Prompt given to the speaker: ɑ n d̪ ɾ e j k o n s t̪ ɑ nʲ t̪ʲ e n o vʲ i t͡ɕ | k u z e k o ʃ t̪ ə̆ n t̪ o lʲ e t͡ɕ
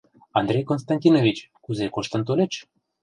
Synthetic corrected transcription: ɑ n d̪ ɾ e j k o n s t̪ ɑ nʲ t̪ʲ i n o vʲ i t͡ɕ | k u z e k o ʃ t̪ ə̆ n t̪ o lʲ e t͡ɕ